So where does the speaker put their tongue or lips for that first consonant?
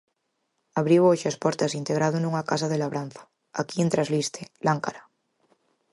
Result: lips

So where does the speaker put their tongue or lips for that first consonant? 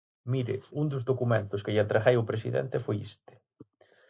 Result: lips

